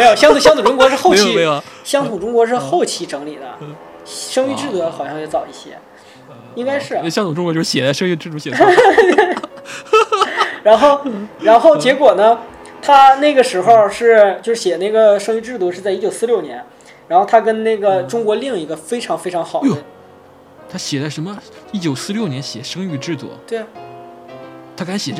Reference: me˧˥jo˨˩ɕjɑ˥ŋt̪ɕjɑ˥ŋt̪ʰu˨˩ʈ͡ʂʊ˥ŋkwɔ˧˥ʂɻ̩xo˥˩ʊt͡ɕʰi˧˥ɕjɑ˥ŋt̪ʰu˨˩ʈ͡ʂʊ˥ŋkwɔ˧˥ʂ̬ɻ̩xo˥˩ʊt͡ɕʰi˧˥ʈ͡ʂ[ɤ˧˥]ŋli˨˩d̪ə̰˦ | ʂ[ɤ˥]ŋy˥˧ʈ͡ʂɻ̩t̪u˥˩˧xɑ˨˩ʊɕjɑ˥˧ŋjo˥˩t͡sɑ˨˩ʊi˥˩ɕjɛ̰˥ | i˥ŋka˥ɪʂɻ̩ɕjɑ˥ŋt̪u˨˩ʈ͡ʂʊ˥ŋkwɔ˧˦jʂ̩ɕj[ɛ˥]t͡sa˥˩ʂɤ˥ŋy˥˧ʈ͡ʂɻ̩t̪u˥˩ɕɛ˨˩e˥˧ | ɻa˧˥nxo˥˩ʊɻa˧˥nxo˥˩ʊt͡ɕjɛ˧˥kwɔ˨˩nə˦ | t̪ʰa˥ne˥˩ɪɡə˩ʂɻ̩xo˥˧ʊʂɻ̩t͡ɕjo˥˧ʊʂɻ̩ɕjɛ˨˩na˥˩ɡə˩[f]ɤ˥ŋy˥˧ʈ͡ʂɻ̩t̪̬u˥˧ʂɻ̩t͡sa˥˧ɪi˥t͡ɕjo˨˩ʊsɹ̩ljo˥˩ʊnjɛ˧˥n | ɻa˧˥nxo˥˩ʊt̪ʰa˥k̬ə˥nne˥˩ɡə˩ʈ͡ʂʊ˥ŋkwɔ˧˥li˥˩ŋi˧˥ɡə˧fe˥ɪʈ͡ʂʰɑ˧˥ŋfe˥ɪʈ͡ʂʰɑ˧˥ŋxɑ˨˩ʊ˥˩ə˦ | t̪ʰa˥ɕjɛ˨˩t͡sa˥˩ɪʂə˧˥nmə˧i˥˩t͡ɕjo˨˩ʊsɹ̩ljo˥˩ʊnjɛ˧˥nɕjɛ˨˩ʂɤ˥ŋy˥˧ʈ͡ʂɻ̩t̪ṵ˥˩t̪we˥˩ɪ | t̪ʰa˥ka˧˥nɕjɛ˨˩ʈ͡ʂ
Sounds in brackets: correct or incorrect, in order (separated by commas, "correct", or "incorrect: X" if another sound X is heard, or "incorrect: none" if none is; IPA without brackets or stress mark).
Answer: correct, correct, incorrect: ɛ˨˩, incorrect: ʂ